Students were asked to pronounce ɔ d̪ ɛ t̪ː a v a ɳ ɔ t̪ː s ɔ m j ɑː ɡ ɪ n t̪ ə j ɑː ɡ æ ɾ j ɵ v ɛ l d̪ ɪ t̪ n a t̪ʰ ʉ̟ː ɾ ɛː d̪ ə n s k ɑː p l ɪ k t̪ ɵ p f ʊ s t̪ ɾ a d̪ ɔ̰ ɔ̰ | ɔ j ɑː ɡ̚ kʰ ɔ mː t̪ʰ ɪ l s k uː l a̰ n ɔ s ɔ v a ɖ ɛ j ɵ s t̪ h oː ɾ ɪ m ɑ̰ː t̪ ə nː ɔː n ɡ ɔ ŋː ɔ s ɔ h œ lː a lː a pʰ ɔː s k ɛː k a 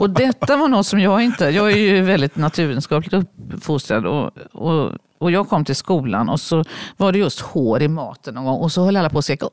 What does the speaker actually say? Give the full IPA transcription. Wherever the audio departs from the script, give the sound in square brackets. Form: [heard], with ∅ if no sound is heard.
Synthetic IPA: ɔ d̪ ɛ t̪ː a v a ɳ ɔ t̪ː s ɔ m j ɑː ɡ ɪ n t̪ ə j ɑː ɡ æ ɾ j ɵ v ɛ l d̪ ɪ t̪ n a t̪ʰ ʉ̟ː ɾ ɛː d̪ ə n s k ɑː p l ɪ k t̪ ɵ p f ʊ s t̪ ɾ a d̪ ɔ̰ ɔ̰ | ɔ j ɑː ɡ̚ kʰ ɔ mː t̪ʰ ɪ l s k uː l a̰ n ɔ s ɔ v a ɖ ɛ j ɵ s t̪ h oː ɾ ɪ m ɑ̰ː t̪ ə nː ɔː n ɡ ɔ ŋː ɔ s ɔ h œ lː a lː a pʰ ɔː s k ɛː k a